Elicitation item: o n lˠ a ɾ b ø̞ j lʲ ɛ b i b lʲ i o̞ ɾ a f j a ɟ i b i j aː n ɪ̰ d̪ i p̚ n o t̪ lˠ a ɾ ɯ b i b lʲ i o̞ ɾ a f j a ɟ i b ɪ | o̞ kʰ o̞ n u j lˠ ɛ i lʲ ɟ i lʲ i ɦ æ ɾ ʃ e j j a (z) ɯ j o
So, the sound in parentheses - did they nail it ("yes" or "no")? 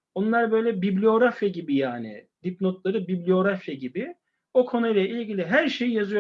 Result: yes